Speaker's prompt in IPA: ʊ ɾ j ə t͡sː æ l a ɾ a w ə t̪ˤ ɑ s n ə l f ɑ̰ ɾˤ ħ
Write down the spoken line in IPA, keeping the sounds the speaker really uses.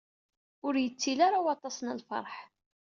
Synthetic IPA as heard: ʊ ɾ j ə t͡sː i l a ɾ a w ɑ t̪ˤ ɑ s n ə l f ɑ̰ ɾˤ ħ